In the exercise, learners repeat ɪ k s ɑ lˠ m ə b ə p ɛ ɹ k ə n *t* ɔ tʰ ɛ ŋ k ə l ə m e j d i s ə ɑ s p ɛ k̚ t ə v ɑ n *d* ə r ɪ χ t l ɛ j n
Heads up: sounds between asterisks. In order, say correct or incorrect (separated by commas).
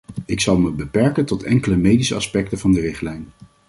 correct, correct